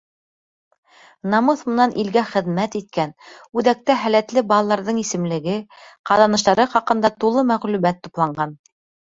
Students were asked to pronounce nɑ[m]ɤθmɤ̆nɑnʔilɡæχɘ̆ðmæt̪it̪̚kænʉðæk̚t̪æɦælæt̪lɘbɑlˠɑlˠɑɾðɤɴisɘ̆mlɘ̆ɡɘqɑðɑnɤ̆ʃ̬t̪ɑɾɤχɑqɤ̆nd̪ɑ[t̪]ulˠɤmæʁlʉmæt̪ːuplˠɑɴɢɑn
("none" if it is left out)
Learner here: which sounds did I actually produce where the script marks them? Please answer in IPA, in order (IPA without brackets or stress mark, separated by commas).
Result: m, t̪